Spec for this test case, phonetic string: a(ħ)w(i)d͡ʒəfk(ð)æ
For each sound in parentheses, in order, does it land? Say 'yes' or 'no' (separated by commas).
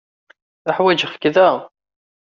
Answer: yes, no, yes